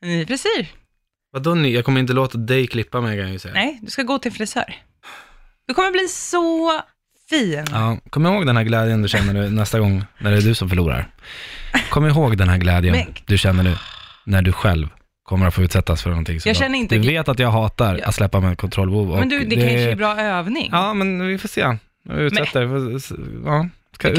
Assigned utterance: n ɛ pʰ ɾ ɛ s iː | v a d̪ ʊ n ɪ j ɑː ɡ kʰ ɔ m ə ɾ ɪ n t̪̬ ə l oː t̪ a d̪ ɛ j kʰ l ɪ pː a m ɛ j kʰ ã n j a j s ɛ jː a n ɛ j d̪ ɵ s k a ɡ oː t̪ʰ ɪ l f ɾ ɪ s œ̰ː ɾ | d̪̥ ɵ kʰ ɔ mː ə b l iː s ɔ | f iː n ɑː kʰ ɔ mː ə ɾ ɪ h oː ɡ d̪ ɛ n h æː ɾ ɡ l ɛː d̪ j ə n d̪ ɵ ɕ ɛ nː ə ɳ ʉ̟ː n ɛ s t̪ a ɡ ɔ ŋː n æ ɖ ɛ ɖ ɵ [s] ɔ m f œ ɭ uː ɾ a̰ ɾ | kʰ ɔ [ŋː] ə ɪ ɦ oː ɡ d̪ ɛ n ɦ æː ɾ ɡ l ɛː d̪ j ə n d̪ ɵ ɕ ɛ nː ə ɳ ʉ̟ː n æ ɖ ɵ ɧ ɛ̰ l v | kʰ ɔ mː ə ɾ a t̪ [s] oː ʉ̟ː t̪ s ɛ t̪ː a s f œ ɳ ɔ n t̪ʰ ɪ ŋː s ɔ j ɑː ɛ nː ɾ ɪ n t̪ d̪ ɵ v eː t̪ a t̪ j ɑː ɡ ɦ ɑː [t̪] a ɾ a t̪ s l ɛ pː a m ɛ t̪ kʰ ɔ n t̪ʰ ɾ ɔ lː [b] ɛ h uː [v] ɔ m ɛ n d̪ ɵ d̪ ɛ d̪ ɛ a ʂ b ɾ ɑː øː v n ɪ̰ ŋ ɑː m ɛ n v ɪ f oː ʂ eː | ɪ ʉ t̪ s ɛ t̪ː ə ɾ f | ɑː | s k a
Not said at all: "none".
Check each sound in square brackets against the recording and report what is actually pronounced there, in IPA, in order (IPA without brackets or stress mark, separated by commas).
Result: s, mː, f, t̪, b, v